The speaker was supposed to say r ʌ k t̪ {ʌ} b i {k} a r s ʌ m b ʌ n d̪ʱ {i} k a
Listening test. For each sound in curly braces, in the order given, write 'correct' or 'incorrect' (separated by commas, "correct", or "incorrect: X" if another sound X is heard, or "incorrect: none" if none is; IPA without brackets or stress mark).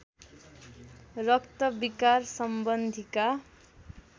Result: correct, correct, correct